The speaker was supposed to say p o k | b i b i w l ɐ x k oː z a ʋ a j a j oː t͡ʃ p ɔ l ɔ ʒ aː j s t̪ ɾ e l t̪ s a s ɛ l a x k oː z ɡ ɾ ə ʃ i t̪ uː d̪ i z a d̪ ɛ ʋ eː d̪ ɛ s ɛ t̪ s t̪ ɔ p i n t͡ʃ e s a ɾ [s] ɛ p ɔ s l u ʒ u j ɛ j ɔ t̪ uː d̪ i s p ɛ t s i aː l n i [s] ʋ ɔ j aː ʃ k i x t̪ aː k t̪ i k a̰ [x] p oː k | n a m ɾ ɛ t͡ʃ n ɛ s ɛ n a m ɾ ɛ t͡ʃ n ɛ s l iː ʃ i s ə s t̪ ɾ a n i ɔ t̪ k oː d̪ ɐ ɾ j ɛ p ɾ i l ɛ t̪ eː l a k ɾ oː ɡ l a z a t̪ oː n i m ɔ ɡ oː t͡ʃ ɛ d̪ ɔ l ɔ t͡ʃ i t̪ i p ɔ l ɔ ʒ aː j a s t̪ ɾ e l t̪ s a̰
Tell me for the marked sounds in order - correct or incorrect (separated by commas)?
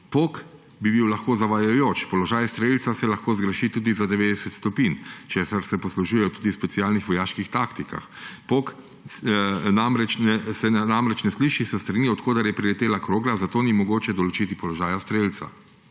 correct, incorrect, correct